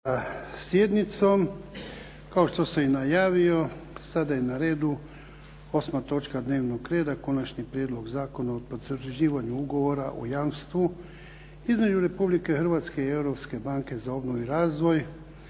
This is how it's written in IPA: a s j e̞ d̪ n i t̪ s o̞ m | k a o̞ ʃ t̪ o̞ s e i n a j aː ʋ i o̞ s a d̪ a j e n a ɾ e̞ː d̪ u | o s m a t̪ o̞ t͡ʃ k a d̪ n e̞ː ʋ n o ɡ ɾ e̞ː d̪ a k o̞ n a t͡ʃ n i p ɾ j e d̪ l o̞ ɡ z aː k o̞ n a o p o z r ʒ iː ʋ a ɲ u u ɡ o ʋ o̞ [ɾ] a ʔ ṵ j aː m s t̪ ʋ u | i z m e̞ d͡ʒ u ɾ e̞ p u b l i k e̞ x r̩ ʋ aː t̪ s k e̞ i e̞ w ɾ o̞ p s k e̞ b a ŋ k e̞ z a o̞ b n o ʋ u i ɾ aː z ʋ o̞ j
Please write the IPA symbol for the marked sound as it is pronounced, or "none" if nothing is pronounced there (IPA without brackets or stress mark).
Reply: ɾ